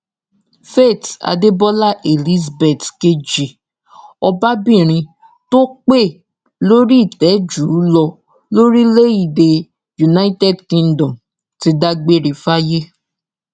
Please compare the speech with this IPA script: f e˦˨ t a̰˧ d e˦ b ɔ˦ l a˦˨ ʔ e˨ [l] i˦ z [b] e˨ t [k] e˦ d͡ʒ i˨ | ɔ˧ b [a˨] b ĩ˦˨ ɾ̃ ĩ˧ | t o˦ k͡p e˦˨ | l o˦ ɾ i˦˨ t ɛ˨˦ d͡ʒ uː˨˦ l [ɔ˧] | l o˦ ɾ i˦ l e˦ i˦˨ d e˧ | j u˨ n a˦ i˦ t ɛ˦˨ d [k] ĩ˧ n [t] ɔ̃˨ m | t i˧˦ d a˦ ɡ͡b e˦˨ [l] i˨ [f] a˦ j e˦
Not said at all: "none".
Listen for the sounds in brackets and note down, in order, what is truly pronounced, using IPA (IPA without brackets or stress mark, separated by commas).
l, b, k, a˦, ɔ˧, k, d, ɾ, f